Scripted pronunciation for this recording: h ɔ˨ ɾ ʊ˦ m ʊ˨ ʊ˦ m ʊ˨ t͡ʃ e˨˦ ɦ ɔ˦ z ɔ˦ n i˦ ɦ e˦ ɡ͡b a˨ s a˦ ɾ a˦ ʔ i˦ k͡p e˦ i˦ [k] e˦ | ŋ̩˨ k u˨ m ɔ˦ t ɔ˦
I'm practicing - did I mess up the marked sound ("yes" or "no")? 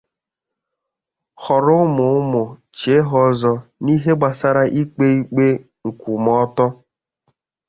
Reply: yes